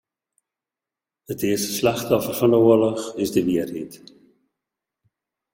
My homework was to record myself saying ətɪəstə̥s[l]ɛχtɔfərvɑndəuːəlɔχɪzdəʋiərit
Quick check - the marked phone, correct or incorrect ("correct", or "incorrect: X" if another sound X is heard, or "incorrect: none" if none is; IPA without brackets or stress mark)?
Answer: correct